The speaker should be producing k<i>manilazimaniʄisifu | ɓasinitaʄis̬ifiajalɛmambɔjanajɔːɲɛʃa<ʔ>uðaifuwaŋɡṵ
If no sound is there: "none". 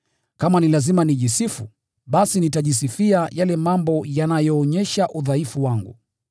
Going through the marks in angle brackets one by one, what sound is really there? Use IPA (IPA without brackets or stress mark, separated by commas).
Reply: a, ʔ